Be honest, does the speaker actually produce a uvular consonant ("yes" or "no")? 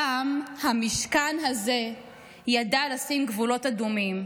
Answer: no